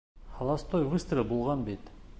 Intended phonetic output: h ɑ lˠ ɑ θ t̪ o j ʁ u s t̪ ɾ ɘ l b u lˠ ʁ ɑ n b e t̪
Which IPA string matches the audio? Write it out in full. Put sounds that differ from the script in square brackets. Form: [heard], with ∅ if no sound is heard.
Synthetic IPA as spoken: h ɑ lˠ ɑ [s] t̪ o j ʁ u s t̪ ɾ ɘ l b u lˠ ʁ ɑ n b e t̪